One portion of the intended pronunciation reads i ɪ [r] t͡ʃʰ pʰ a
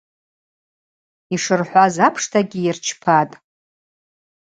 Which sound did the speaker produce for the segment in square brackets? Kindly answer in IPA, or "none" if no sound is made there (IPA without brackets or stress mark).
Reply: r